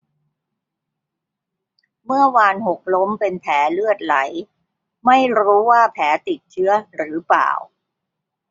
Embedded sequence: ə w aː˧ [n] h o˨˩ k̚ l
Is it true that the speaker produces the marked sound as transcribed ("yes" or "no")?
yes